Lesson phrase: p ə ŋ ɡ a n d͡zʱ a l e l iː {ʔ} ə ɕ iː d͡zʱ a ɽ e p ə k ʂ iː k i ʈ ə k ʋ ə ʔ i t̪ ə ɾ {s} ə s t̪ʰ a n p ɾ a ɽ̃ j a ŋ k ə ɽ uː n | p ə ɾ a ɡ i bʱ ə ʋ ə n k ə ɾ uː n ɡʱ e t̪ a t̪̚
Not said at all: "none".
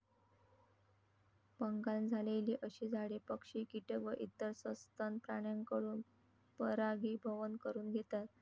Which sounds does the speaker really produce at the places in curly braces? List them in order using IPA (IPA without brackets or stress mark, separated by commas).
ʔ, s